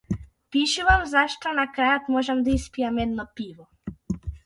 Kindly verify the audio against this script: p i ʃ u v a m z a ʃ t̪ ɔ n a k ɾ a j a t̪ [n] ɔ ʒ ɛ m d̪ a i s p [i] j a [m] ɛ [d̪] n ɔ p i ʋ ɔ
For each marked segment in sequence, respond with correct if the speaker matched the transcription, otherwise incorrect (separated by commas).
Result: incorrect, correct, correct, correct